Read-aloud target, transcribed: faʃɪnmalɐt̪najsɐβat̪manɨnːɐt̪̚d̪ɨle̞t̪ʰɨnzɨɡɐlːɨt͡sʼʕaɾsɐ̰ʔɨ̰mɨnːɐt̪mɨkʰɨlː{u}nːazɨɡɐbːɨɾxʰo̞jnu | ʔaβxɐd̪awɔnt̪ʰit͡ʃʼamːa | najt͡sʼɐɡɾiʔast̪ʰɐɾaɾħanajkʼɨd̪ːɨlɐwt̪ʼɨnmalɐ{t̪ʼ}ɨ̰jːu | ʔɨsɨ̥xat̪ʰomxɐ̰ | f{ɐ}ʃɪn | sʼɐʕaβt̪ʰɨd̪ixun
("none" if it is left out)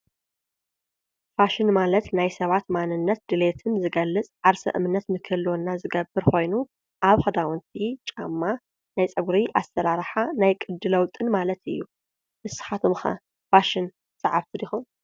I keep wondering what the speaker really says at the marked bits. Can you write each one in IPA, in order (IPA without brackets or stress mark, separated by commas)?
o, t̪, a